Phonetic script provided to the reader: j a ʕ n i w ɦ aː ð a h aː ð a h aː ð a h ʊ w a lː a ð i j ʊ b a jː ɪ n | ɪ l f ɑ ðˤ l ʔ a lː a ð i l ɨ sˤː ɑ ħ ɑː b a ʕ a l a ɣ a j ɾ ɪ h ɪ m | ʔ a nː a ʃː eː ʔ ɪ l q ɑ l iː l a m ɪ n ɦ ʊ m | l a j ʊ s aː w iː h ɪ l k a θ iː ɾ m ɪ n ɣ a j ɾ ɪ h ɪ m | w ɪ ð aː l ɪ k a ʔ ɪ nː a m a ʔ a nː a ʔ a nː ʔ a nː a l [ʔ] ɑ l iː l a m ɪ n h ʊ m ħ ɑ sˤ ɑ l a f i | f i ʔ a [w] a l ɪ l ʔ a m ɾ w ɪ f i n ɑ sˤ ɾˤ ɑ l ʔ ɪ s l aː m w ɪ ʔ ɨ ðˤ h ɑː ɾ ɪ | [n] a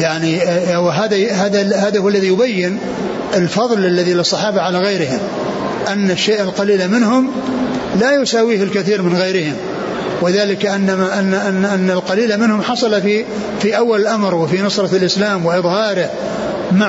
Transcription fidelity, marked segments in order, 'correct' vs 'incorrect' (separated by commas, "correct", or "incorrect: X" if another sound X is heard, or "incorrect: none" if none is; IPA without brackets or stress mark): incorrect: q, incorrect: wː, incorrect: m